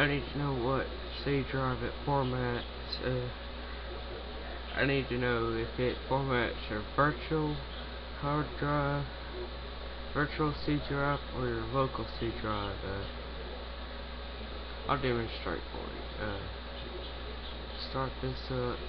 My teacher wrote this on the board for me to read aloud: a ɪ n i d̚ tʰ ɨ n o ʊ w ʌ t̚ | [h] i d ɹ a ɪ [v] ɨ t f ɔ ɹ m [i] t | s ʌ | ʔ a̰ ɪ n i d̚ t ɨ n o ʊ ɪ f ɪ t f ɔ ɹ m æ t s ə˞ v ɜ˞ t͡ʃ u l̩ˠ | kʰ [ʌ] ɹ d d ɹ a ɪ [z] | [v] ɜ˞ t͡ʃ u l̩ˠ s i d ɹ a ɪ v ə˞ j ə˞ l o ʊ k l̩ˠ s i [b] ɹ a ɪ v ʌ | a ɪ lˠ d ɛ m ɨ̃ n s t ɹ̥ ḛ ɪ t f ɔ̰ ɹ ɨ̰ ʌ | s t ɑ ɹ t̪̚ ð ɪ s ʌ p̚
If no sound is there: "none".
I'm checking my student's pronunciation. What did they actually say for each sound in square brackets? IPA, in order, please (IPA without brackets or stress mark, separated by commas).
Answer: s, v, æ, ɑ, v, v, d